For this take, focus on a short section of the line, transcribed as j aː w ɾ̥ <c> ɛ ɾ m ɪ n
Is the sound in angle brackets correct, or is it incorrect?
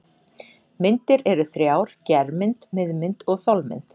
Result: correct